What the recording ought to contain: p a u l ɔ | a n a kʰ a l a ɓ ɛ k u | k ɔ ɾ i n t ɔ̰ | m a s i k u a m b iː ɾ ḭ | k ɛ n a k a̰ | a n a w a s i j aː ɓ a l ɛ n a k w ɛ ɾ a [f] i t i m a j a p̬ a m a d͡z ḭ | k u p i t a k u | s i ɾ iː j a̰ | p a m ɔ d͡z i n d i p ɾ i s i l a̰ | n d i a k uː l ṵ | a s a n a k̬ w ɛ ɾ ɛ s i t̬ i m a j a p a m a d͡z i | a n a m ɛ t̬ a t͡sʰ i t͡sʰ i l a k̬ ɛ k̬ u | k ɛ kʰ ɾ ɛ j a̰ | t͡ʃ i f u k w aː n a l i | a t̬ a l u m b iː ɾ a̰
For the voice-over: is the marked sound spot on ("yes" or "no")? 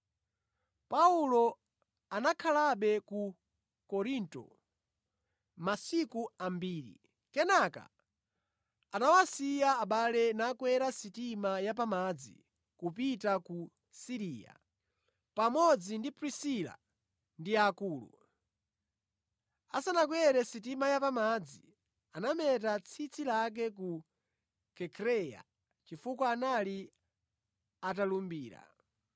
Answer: no